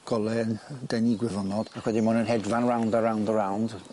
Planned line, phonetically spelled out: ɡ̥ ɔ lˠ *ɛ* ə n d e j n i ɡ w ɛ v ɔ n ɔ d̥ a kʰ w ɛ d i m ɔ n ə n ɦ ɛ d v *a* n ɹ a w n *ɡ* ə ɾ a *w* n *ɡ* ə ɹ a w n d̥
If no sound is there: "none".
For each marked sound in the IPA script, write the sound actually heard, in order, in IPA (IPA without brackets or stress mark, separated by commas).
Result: ɛ, a, d, w, d